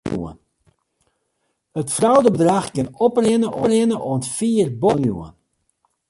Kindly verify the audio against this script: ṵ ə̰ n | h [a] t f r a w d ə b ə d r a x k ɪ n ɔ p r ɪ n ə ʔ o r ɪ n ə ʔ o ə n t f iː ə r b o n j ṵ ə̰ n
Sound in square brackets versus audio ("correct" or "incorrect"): incorrect